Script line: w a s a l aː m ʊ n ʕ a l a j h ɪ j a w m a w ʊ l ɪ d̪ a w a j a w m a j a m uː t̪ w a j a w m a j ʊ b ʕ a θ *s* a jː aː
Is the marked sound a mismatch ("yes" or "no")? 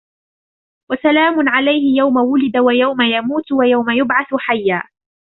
yes